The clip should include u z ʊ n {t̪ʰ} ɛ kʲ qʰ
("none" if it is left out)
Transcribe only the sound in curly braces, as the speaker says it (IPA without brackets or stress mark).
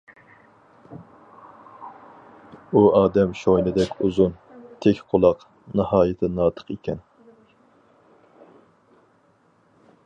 t̪ʰ